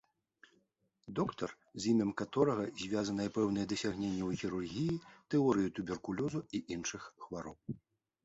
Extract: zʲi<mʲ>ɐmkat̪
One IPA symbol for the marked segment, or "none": mʲ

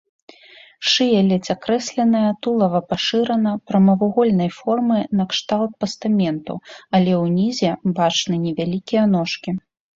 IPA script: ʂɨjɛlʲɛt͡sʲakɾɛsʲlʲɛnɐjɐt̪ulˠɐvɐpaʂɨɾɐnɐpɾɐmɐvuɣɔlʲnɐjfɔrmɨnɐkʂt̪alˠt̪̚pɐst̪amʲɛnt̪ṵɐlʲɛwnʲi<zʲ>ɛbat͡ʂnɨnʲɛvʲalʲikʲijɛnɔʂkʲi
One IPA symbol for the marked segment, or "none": zʲ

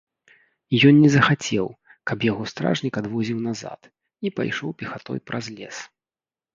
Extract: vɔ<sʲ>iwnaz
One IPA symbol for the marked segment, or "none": zʲ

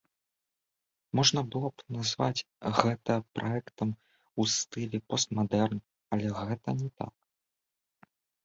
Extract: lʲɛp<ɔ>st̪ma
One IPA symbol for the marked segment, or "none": ɔ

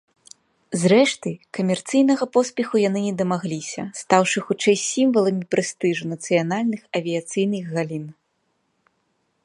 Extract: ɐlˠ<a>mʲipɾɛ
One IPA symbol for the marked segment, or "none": ɐ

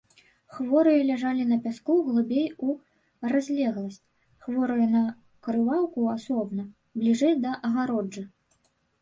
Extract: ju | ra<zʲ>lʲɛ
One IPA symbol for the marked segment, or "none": zʲ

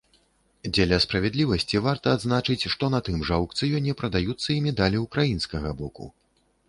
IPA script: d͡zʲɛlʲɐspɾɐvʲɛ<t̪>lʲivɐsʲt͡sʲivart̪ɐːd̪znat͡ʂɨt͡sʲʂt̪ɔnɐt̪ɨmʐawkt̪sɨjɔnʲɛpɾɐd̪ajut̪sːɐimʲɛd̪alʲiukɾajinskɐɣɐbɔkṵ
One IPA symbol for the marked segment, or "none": d̪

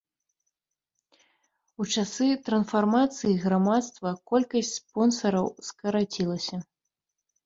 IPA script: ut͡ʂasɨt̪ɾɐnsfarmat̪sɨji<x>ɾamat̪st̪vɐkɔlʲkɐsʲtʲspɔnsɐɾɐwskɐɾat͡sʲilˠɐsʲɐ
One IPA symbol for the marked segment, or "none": ɣ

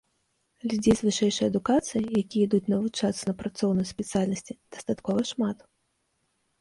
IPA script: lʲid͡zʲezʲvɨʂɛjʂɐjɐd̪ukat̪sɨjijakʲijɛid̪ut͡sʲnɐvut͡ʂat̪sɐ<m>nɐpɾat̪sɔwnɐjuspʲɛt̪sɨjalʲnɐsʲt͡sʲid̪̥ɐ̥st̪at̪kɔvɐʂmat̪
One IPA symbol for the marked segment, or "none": none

